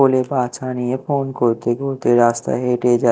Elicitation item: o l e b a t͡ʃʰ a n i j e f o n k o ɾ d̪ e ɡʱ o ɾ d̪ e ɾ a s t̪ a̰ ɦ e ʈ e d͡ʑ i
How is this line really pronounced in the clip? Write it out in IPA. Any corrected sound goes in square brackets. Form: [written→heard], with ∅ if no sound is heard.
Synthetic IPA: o l e b a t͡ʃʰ a n i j e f o n k o ɾ [d̪→t̪] e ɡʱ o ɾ [d̪→t̪] e ɾ a s t̪ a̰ ɦ e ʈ e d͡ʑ [i→a]